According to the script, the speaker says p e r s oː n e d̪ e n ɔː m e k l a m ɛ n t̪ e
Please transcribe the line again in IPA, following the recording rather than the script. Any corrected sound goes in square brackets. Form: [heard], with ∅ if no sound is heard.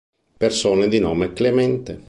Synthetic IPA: p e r s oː n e d̪ [i] n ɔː m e k l [e] m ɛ n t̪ e